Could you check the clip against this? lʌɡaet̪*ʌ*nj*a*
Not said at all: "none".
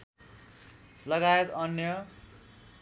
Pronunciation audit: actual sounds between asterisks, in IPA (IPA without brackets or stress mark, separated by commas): ʌ, ʌ